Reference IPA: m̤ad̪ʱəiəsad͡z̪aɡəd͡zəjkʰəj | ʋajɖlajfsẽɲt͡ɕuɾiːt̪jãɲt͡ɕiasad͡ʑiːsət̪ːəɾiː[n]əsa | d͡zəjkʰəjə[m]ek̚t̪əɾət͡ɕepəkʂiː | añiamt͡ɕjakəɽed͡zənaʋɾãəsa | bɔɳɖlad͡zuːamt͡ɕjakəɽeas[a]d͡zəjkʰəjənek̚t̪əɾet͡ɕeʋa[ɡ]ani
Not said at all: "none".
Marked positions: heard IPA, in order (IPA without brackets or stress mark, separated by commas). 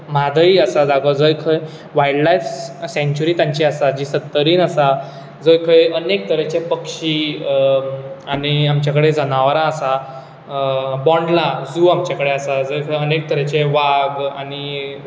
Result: n, n, a, ɡ